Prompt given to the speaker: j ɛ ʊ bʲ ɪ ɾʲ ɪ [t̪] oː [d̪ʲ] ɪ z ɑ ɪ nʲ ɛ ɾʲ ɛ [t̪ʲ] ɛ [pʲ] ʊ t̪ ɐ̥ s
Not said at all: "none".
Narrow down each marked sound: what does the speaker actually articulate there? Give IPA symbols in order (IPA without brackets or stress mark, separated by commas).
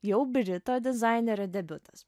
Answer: t̪, d̪ʲ, d̪ʲ, bʲ